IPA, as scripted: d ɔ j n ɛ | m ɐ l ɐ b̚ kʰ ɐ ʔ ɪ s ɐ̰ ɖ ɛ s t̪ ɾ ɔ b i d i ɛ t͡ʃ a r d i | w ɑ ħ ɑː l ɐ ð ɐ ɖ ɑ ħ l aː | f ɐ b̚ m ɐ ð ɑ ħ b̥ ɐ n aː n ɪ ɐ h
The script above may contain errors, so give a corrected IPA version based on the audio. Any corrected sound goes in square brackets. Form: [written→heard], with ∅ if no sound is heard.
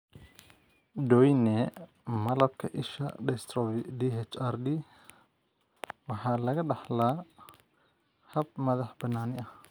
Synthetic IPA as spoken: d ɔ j n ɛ | m ɐ l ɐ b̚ kʰ ɐ ʔ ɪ [s→ʃ] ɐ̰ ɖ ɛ s t̪ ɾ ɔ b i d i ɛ t͡ʃ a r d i | w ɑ ħ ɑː l ɐ [ð→ɣ] ɐ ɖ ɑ ħ l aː | [f→h] ɐ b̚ m ɐ ð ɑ ħ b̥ ɐ n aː n ɪ ɐ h